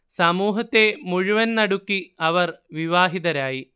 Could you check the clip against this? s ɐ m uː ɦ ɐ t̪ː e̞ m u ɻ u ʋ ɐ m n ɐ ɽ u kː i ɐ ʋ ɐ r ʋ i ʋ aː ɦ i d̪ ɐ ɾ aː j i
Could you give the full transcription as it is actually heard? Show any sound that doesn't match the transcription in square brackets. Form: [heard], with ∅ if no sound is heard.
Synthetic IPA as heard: s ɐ m uː ɦ ɐ t̪ː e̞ m u ɻ u ʋ ɐ [n] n ɐ ɽ u kː i ɐ ʋ ɐ r ʋ i ʋ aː ɦ i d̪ ɐ ɾ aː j i